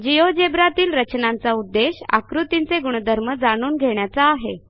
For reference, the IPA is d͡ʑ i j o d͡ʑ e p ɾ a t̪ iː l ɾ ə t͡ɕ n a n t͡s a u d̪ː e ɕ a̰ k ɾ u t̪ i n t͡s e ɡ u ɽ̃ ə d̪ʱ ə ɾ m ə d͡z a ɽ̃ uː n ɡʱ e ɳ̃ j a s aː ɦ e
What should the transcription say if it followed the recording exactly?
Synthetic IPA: d͡ʑ i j o d͡ʑ e b ɾ a t̪ iː l ɾ ə t͡ɕ n a n t͡s a u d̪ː e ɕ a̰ k ɾ u t̪ i n t͡s e ɡ u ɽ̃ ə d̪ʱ ə ɾ m ə d͡z a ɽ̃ uː n ɡʱ e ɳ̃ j a t͡s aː ɦ e